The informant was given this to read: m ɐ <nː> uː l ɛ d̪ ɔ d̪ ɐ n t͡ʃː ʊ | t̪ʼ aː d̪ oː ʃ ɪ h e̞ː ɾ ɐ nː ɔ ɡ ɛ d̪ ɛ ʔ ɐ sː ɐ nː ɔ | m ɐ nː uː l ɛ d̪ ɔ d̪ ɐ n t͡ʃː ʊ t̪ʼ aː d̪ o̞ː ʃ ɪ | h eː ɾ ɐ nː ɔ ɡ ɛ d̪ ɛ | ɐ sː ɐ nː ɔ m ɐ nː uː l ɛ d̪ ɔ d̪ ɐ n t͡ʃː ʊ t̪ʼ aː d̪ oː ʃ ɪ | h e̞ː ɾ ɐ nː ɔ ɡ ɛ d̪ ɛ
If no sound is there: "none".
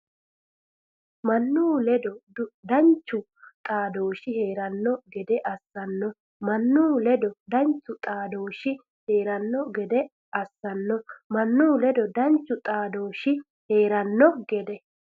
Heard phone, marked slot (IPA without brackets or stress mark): nː